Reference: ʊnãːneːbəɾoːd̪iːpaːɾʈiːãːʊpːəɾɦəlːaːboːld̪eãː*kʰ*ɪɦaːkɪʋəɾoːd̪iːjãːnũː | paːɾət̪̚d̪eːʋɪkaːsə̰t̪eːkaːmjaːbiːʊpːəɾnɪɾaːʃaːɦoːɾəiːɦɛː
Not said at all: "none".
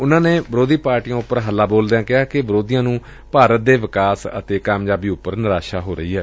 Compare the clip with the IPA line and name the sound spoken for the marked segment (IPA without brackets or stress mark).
k